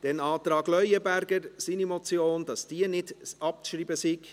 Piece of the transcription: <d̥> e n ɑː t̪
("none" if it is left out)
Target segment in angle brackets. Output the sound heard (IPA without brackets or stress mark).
d̥